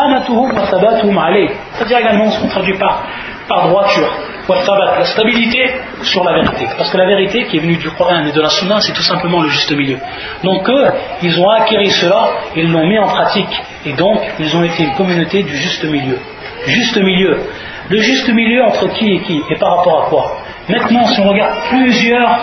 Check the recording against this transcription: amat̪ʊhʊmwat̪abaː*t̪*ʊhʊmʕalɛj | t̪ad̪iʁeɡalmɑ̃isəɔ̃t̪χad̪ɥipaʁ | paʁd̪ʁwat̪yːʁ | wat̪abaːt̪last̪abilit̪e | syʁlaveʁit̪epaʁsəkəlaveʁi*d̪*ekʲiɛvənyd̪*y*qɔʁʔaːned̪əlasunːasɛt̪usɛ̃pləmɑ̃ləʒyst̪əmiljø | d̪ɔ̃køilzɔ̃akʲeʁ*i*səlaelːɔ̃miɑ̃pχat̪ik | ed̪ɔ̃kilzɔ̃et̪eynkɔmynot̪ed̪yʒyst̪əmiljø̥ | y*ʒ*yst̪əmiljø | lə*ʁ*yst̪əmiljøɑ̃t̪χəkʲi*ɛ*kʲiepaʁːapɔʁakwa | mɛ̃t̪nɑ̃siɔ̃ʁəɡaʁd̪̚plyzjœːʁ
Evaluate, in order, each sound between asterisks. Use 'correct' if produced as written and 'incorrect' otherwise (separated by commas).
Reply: correct, incorrect, correct, correct, correct, incorrect, incorrect